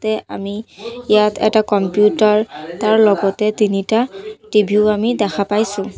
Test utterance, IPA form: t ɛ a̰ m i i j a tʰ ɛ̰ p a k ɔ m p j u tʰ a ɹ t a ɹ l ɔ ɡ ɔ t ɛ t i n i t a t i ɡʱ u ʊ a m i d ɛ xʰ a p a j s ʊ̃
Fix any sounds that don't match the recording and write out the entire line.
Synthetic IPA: t ɛ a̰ m i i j a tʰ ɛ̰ t a k ɔ m p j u t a ɹ t a ɹ l ɔ ɡ ɔ t ɛ t i n i t a t i bʱ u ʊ a m i d ɛ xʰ a p a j s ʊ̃